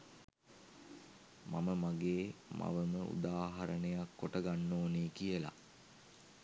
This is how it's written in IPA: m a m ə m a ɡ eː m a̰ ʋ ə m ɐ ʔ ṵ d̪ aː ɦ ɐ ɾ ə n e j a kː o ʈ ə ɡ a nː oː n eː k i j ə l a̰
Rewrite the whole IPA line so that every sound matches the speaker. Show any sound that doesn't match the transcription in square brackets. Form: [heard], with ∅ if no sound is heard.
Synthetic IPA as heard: m a m ə m a ɡ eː m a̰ ʋ ə m [ə] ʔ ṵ d̪ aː ɦ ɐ ɾ ə n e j a kː o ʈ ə ɡ a nː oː n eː k i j ə l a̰